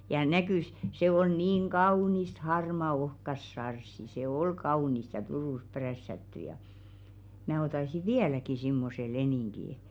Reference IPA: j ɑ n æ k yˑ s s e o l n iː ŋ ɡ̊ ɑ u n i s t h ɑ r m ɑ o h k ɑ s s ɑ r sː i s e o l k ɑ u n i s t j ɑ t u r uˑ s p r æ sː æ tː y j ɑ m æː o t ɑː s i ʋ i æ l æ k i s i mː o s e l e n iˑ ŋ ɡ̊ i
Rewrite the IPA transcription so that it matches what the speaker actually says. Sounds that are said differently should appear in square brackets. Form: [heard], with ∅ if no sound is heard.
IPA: j ɑ n æ k yˑ s s e o l n iː ŋ ɡ̊ ɑ u n i s t h ɑ r m ɑ o h k ɑ s s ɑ r sː i s e o l k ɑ u n i s t j ɑ t u r uˑ s p r æ sː æ tː y j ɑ m æː o t [ɑ] s i ʋ i æ l æ k i s i mː o s e l e n iˑ ŋ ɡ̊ i